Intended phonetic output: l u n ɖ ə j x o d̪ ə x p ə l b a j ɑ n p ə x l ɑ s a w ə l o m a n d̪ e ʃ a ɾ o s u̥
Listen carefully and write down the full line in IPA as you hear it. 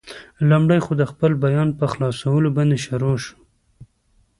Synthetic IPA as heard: l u m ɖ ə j x o d̪ ə x p ə l b a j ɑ n p ə x l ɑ s a w ə l o b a n d̪ e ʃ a ɾ o ʃ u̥